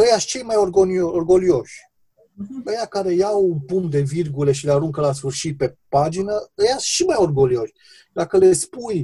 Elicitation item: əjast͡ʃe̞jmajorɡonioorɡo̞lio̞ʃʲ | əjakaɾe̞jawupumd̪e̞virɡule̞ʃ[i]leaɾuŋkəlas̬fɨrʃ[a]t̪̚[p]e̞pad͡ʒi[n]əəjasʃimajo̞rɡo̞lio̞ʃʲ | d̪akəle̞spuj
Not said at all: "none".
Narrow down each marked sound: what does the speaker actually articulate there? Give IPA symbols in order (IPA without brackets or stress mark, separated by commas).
i, i, p, n